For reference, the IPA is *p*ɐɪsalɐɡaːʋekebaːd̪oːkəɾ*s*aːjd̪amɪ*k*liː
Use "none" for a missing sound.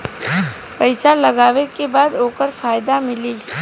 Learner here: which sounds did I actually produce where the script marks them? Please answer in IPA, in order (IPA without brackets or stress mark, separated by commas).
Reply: p, f, none